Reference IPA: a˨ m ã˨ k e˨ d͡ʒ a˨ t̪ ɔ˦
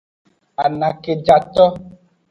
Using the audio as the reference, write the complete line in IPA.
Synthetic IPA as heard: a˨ n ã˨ k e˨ d͡ʒ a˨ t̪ ɔ˦